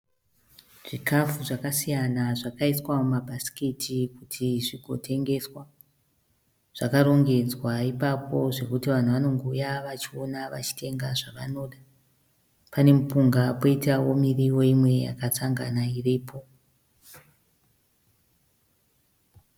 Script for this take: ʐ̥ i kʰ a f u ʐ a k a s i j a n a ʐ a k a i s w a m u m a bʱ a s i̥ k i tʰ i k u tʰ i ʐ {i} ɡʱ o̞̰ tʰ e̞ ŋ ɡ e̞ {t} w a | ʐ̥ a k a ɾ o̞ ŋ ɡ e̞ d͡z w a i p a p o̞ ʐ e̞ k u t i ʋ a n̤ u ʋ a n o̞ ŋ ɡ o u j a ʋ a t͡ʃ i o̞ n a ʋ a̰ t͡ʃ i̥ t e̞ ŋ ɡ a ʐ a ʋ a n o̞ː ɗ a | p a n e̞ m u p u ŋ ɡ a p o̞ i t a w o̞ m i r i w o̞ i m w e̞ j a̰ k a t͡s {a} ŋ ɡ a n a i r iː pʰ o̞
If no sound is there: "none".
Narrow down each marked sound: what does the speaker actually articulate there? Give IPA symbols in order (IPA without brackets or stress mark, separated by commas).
i, s, a